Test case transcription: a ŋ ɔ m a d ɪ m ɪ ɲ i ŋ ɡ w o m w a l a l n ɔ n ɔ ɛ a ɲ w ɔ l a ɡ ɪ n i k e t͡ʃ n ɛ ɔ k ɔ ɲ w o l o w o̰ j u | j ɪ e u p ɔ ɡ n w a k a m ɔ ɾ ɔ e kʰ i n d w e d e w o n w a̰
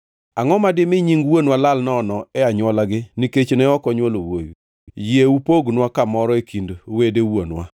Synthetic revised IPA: a ŋ ɔ m a d ɪ m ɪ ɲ i ŋ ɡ w o n w a l a l n ɔ n ɔ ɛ a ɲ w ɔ l a ɡ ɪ n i k e t͡ʃ n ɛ ɔ k ɔ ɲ w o l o w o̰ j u | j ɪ e u p o ɡ n w a k a m ɔ ɾ ɔ e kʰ i n d w e d e w o n w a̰